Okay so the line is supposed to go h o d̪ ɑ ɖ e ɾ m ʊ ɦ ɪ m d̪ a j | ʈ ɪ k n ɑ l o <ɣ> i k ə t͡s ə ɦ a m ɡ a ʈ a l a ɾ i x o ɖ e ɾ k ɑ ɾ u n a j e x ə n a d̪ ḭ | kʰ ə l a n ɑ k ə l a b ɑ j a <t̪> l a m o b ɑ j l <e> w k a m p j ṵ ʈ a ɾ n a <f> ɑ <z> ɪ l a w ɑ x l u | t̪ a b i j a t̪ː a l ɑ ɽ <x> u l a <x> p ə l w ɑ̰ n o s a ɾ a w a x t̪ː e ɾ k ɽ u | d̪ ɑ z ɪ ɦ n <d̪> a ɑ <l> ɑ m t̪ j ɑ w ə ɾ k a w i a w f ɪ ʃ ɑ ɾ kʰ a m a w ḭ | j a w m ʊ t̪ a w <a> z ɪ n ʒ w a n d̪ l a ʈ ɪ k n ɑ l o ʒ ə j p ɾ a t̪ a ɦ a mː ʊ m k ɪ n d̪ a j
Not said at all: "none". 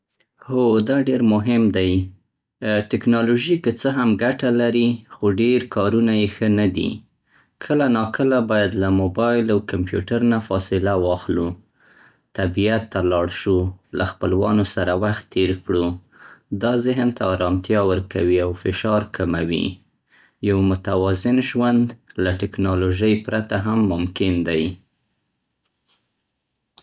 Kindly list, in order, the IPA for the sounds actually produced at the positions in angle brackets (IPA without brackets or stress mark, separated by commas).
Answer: ʒ, d̪, a, f, s, ʃ, x, t̪, ɾ, ɑ